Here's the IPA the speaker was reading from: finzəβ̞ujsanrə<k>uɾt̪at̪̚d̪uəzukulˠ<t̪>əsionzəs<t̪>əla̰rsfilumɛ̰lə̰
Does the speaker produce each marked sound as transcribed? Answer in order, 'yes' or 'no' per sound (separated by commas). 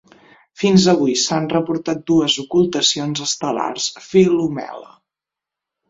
no, yes, yes